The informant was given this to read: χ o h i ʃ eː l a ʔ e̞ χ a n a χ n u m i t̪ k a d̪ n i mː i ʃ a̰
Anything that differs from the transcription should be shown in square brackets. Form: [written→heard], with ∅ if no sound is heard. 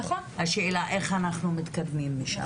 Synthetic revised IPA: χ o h [i→a] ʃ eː l a ʔ e̞ χ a n a χ n u m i t̪ k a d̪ [n→m] i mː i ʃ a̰